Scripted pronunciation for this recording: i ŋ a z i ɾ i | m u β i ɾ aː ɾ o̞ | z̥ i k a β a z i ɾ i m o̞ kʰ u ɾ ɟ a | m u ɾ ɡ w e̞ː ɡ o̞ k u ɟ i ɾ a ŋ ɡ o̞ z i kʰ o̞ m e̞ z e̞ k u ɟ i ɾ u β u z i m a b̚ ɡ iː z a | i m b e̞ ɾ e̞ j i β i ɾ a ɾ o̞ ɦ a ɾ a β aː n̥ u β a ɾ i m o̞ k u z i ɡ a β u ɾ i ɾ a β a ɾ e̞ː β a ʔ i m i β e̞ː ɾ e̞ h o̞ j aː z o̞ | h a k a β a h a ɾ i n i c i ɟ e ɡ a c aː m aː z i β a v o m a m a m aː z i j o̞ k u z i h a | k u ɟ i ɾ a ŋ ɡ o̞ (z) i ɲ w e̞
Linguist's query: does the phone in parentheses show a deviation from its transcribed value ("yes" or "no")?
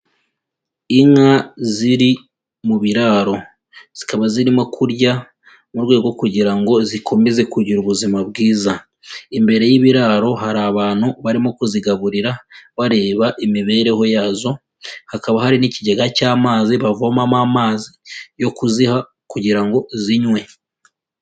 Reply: no